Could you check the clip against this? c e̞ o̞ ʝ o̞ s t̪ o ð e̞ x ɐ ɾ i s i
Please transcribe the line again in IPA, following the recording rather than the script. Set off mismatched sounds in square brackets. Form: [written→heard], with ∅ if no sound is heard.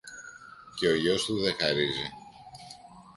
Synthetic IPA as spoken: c e̞ o̞ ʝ o̞ s t̪ [o→u] ð e̞ x ɐ ɾ i [s→z] i